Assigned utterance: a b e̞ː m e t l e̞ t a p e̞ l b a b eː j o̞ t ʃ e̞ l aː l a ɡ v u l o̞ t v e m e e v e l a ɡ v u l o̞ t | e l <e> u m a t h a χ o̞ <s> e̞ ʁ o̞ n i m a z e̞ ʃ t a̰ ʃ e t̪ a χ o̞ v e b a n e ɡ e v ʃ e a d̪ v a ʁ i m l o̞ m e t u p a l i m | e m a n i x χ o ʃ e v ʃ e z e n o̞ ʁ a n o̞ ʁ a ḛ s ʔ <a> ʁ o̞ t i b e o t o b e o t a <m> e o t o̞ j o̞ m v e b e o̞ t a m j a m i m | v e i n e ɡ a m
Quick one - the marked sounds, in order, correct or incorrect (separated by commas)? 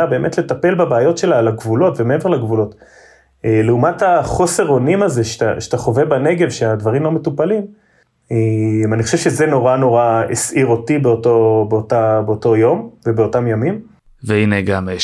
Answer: correct, correct, incorrect, incorrect